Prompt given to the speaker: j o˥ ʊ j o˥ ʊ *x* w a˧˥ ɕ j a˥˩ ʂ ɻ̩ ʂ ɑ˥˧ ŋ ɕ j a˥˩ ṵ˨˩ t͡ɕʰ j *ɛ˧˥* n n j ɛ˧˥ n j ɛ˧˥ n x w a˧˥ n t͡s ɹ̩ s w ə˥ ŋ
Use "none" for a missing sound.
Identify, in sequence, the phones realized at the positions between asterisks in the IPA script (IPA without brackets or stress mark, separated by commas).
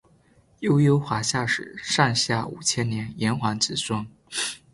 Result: x, ɛ˥